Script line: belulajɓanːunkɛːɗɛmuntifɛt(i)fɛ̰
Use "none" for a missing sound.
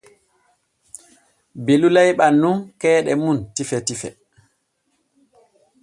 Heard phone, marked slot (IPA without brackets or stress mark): i